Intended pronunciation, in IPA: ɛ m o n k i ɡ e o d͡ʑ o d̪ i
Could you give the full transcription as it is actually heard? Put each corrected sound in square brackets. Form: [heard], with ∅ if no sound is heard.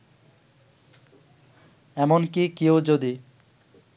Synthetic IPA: ɛ m o n k i [k] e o d͡ʑ o d̪ i